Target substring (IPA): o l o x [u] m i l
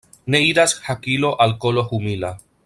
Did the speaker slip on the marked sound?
no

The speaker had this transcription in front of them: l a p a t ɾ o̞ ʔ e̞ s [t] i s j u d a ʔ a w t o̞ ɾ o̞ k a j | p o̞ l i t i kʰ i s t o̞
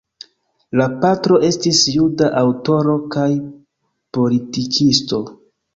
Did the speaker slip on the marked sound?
no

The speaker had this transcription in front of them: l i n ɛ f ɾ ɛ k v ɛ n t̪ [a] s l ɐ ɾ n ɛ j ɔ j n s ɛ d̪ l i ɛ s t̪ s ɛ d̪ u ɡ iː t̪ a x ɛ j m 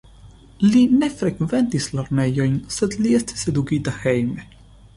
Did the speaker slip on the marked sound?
yes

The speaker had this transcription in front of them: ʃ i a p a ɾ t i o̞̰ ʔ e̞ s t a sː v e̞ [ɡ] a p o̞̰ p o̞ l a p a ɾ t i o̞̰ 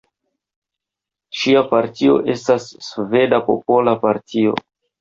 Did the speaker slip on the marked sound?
yes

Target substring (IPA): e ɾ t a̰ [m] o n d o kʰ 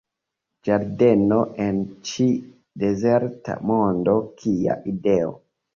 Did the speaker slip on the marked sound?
no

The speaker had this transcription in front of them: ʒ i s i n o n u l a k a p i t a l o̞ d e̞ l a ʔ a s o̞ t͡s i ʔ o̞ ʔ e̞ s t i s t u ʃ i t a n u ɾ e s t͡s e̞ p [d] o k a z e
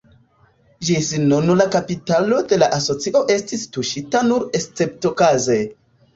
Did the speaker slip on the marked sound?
yes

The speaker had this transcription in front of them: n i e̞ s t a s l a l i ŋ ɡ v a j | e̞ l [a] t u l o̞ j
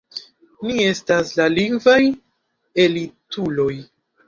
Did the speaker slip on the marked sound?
yes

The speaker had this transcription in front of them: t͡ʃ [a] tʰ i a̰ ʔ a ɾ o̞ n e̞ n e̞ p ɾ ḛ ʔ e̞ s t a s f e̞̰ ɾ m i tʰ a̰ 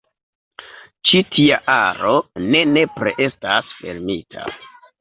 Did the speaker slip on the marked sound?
yes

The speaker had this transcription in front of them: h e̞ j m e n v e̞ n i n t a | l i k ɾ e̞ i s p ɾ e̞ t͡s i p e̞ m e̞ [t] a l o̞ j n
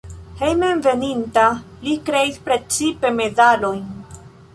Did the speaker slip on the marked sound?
yes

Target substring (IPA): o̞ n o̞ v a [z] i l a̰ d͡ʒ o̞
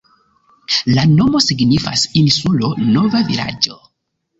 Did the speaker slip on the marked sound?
yes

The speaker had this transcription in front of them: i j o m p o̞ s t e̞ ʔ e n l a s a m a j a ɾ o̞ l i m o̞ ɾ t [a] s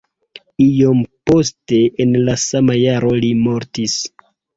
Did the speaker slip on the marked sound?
yes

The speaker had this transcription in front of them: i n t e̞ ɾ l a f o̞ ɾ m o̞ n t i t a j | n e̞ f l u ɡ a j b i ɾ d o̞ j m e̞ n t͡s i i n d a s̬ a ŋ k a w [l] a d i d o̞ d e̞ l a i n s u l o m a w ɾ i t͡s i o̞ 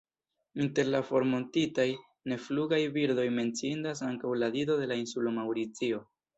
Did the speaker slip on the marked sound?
no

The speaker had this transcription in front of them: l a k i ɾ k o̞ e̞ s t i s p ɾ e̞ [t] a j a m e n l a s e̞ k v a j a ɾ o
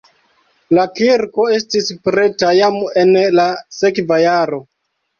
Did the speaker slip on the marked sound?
no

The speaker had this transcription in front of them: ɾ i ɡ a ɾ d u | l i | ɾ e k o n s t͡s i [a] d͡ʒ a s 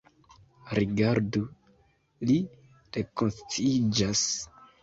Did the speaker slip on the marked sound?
yes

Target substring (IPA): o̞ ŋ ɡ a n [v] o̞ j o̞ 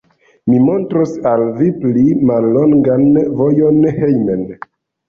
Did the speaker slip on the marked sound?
no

